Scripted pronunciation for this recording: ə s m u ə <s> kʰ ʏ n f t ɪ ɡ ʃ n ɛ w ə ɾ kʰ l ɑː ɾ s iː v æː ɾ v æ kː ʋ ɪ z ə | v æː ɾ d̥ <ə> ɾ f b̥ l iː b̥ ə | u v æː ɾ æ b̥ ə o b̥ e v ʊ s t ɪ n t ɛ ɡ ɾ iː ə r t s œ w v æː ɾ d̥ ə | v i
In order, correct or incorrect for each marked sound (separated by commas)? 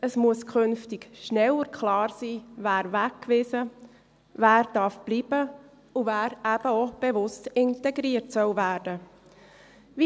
correct, incorrect